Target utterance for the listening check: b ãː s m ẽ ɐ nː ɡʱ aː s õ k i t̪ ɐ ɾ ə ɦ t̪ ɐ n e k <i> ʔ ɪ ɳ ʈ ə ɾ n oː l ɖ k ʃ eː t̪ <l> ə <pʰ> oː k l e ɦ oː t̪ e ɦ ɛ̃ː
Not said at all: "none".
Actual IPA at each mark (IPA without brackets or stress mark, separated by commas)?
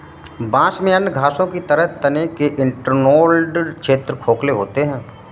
e, ɾ, kʰ